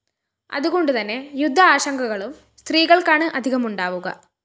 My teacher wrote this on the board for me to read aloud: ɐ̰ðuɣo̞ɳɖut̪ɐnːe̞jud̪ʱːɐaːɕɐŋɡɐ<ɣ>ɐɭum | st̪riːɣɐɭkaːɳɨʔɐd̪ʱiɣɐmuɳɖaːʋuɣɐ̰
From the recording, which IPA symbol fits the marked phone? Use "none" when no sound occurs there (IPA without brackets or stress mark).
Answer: ɣ